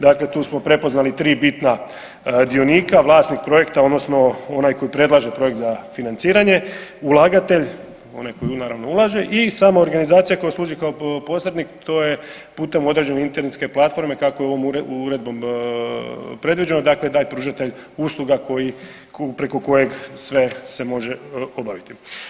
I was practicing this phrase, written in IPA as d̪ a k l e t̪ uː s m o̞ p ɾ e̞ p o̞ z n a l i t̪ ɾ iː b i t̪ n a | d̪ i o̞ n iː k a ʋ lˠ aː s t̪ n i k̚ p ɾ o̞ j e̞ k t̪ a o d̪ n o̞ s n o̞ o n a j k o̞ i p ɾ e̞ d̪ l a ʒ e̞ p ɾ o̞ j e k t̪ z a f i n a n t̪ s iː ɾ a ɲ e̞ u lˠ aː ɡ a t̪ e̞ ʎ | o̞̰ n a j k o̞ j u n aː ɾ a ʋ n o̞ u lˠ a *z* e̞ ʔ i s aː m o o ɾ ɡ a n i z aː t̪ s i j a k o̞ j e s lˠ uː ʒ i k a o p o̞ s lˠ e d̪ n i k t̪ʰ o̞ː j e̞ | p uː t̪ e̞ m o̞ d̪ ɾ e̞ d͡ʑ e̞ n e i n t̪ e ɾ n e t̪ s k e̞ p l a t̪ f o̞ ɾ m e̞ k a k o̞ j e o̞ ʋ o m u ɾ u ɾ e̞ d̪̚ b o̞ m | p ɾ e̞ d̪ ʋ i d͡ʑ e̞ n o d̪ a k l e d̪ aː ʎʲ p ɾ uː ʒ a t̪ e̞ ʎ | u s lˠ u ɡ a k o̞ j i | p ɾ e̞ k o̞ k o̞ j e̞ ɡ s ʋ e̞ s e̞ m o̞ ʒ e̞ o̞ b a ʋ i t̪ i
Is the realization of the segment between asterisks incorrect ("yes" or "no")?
yes